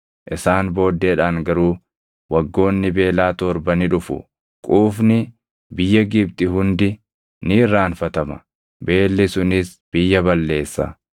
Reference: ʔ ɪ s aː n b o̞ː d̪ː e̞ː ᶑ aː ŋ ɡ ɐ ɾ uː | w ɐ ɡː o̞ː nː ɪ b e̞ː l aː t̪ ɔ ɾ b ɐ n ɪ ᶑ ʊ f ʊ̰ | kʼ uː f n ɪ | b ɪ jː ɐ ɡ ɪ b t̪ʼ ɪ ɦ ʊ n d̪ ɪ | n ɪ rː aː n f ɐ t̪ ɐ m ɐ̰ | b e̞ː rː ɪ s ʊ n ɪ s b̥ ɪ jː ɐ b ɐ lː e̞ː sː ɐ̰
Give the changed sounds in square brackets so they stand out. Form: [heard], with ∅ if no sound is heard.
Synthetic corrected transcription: ʔ ɪ s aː n b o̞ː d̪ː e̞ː ᶑ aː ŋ ɡ ɐ ɾ uː | w ɐ ɡː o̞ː nː ɪ b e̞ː l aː t̪ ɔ ɾ b ɐ n ɪ ᶑ ʊ f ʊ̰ | kʼ uː f n ɪ | b ɪ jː ɐ ɡ ɪ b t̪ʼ ɪ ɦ ʊ n d̪ ɪ | n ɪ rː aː n f ɐ t̪ ɐ m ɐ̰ | b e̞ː [lː] ɪ s ʊ n ɪ s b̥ ɪ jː ɐ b ɐ lː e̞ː sː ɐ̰